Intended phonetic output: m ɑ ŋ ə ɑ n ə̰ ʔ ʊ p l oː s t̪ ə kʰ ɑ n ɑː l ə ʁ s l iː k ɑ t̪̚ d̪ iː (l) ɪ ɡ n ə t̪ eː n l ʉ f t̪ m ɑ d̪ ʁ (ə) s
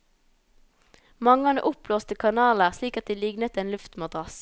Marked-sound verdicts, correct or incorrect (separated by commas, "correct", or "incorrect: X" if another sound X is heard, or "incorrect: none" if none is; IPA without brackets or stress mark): correct, incorrect: ɑ